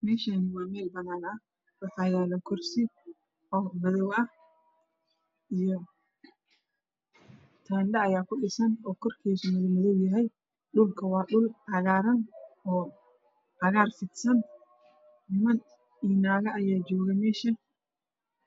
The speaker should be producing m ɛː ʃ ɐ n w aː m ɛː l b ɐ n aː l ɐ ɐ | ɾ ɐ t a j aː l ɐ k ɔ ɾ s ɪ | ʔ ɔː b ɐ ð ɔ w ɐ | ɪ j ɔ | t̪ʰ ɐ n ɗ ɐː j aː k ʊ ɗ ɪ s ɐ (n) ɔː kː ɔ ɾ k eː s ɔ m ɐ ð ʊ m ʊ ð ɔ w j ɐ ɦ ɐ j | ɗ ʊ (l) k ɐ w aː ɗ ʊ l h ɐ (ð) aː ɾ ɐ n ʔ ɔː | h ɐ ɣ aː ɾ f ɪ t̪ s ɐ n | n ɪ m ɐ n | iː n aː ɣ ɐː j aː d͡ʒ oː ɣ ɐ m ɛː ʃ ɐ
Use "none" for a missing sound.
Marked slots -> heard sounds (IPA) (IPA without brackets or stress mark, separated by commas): n, l, ɣ